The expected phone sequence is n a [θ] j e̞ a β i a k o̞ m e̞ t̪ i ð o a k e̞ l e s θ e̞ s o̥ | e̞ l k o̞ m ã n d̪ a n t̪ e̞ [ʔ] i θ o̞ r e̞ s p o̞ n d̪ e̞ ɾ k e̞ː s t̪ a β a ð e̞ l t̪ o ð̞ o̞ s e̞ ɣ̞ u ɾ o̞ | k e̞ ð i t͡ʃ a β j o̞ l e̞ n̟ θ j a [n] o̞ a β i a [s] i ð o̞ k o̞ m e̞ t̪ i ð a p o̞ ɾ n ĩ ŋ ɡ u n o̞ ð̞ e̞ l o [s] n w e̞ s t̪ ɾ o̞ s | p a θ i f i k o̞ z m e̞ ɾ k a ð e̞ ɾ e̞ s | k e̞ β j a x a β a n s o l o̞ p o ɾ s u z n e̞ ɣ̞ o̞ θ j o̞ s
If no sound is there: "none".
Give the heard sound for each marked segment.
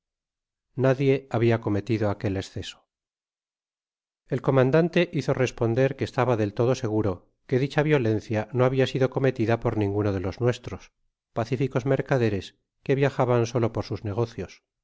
ð, ʔ, n, s, z

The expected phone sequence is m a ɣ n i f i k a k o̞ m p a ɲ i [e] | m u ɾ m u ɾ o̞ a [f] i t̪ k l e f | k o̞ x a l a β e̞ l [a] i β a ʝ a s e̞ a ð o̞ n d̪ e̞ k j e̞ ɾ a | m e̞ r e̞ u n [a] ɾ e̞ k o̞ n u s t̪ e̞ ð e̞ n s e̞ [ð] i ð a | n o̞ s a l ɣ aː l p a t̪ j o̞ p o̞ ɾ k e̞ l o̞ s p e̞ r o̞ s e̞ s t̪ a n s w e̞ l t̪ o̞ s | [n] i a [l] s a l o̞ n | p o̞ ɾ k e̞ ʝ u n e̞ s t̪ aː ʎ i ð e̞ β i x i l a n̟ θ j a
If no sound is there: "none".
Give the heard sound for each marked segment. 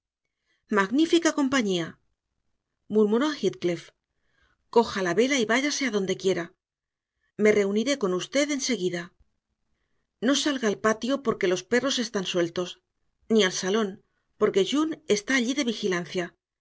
a, x, a, i, ɣ, n, l

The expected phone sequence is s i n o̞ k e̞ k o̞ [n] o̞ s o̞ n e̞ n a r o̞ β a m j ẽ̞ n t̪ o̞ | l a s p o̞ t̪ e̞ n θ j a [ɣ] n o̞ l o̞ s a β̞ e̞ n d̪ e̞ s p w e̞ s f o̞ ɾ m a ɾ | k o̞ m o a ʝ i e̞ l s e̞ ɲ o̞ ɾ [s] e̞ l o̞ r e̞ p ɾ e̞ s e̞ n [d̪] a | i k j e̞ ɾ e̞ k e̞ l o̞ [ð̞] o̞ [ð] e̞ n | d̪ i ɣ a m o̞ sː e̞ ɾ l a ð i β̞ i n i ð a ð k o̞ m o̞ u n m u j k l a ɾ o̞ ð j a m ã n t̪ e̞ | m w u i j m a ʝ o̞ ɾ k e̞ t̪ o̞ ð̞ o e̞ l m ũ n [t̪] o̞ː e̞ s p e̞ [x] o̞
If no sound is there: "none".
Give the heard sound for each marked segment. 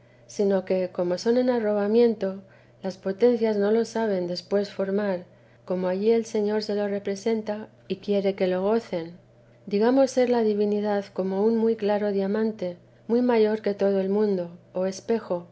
m, z, s, t̪, ɣ̞, θ, d̪, x

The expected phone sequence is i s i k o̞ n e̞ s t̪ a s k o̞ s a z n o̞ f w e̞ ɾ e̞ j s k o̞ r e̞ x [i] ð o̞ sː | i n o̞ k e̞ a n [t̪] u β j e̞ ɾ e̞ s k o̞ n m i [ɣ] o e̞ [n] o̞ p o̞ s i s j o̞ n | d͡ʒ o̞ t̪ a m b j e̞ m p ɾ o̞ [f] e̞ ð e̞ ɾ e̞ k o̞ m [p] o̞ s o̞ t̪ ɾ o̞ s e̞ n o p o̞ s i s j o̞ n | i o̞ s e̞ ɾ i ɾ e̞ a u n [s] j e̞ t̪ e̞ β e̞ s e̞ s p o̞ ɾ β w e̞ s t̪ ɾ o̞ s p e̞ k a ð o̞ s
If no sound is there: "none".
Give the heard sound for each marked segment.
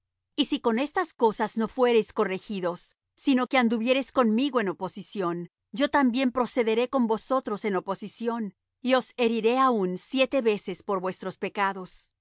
i, d̪, ɣ, n, s, b, s

